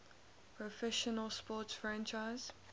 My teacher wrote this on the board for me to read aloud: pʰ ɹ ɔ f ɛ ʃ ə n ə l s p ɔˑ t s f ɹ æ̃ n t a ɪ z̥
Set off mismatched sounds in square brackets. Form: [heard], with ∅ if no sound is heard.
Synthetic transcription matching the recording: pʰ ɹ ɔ f ɛ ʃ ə n ə l s p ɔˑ t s f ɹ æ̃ n [t͡ʃ] a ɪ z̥